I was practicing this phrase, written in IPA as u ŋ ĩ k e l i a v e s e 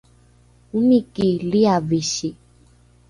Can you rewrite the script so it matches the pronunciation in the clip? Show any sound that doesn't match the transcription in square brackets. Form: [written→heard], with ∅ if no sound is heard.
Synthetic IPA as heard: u [ŋ→m] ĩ k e l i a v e [s→ʃ] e